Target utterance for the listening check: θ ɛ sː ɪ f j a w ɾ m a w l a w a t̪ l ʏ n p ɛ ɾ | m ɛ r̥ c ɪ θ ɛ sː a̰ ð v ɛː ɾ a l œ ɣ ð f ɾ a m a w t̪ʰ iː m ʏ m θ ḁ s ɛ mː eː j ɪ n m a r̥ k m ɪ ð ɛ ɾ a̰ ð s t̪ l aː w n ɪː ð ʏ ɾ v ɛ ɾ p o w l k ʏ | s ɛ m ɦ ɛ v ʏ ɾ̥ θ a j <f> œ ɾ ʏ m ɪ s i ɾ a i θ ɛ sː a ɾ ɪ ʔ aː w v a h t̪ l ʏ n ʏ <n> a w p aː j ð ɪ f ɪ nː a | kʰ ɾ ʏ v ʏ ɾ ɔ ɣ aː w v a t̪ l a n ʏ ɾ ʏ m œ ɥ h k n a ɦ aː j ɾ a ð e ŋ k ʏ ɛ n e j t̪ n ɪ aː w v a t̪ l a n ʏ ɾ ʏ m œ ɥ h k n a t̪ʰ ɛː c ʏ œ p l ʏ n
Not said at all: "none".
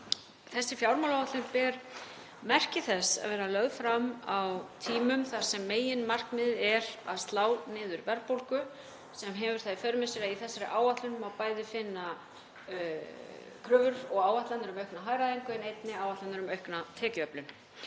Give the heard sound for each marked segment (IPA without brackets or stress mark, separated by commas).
f, m